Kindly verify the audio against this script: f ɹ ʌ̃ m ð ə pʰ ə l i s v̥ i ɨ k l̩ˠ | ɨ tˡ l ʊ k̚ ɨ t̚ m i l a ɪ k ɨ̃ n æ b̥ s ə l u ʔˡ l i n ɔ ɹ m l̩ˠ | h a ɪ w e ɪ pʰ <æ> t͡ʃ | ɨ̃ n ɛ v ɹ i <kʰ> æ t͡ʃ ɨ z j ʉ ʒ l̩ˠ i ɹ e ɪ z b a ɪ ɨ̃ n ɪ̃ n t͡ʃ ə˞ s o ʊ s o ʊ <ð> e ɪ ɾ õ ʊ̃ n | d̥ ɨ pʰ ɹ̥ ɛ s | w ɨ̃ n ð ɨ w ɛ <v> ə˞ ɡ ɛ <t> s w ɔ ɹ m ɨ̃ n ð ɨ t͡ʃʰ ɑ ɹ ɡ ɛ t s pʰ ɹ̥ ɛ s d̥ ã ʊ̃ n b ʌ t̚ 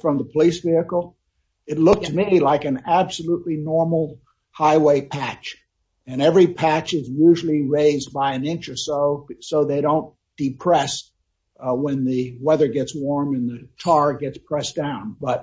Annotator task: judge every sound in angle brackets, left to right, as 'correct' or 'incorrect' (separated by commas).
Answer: correct, incorrect, correct, incorrect, correct